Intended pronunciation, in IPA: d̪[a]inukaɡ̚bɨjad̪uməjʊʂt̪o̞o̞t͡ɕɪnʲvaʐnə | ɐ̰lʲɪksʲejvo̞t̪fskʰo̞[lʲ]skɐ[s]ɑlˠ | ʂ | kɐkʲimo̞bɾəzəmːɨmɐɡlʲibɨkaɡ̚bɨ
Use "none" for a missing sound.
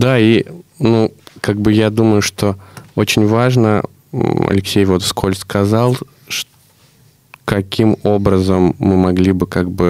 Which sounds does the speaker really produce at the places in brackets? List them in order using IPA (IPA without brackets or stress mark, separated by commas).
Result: a, lʲ, z